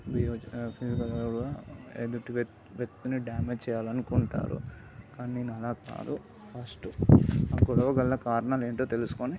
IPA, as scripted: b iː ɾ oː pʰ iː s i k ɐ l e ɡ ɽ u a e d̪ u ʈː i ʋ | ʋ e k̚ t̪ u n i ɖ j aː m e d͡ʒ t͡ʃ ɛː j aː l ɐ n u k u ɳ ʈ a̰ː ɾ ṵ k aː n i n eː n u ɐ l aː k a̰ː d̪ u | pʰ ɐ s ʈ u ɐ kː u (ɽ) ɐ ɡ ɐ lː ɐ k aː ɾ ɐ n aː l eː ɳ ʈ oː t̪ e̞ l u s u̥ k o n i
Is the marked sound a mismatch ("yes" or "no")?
no